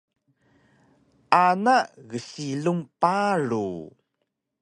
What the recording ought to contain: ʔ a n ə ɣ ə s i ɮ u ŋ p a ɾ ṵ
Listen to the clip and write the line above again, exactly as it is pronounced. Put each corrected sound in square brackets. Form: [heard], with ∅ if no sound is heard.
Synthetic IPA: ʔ a n [a] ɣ ə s i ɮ u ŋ p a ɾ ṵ